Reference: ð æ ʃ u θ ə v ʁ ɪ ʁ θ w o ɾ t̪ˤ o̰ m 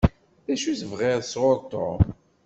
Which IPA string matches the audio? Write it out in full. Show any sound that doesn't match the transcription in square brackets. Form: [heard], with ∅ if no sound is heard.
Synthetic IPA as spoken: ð æ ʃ u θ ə v ʁ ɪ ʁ [s] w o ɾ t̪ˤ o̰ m